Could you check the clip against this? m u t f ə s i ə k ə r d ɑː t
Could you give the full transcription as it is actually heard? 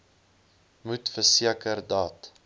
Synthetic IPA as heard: m u t f ə s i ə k ə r d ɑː t